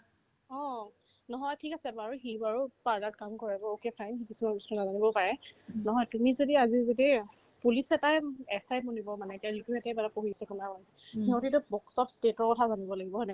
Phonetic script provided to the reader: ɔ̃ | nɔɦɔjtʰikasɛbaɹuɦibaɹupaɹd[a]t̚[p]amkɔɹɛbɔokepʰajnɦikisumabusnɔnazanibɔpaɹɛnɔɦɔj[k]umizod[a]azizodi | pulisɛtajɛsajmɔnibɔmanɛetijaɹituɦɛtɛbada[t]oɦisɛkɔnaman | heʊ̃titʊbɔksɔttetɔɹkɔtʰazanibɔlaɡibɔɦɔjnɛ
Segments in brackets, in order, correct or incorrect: correct, incorrect, incorrect, incorrect, incorrect

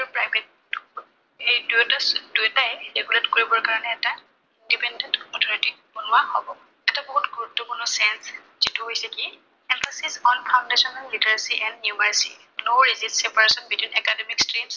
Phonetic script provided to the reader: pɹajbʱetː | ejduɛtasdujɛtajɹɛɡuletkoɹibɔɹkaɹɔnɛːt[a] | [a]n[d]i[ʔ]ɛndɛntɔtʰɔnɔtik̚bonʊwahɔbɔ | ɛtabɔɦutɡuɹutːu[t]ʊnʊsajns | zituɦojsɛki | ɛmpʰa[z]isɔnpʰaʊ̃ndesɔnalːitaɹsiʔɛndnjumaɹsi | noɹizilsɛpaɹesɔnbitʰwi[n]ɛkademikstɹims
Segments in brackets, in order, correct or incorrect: correct, incorrect, correct, incorrect, incorrect, incorrect, correct

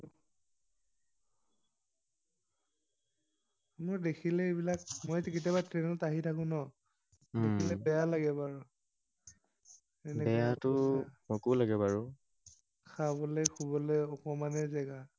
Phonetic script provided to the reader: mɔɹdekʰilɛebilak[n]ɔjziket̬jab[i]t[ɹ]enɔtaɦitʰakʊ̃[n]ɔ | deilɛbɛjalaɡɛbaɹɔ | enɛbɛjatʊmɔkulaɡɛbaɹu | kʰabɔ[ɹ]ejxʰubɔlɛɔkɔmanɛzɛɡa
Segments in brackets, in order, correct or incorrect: incorrect, incorrect, correct, correct, incorrect

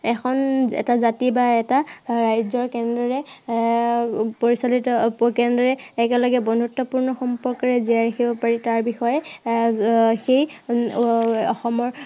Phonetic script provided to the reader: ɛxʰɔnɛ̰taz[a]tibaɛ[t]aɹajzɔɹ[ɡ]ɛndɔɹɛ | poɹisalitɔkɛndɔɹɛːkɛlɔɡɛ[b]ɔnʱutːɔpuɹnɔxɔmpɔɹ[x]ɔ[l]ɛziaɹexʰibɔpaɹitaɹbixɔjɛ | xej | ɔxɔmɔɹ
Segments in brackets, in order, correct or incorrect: correct, correct, incorrect, correct, incorrect, incorrect

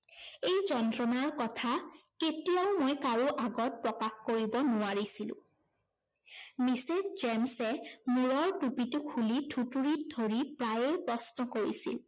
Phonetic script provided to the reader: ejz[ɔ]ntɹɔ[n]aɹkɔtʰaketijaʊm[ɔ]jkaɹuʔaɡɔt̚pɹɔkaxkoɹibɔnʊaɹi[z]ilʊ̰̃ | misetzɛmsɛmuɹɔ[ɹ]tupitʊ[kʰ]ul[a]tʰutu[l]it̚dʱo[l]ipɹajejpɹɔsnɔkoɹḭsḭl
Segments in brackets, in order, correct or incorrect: correct, correct, incorrect, incorrect, correct, correct, incorrect, incorrect, incorrect

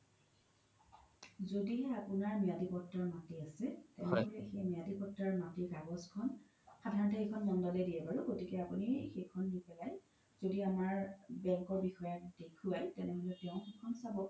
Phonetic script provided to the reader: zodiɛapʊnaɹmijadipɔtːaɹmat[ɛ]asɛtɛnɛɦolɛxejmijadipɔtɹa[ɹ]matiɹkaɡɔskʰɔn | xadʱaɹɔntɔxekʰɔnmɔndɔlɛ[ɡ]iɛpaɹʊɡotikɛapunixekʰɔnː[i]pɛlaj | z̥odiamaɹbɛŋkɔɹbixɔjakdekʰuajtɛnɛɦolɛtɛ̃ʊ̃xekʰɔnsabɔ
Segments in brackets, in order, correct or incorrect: incorrect, correct, incorrect, correct

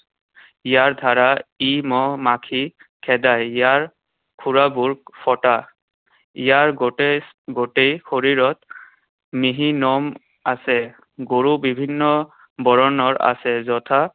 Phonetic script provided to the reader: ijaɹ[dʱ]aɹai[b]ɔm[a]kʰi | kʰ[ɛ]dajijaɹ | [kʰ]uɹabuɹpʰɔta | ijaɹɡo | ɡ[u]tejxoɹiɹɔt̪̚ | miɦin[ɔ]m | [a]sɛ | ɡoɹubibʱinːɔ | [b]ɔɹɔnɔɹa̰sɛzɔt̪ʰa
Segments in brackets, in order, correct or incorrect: correct, incorrect, correct, correct, correct, incorrect, correct, correct, correct

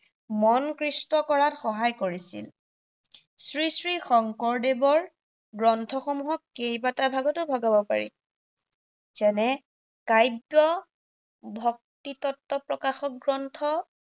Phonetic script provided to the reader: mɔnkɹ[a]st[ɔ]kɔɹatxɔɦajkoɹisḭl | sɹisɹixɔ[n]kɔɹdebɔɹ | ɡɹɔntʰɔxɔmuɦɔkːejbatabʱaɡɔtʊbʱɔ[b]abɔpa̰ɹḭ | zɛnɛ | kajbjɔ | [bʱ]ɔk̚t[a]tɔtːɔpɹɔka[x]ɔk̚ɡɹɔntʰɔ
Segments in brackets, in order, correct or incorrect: incorrect, correct, incorrect, incorrect, correct, incorrect, correct

